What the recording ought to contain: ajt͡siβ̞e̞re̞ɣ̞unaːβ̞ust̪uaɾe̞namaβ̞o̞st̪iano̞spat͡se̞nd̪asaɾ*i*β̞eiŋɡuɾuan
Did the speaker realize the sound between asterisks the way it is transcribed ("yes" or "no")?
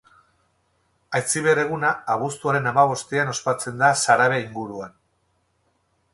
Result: no